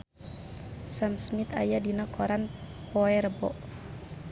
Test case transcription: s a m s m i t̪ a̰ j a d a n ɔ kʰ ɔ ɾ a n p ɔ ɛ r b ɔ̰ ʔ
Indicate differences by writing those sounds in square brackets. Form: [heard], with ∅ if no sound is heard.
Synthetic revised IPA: s a m s m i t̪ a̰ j a d [i] n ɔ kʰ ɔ ɾ a n p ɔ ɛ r b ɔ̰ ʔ